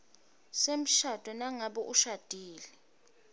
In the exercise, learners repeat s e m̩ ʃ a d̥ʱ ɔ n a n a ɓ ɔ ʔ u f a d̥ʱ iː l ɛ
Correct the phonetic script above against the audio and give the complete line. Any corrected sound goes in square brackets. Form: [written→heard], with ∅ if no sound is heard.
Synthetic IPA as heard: s e m̩ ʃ a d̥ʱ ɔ n a [n→ŋ] a ɓ ɔ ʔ u [f→ʃ] a d̥ʱ iː l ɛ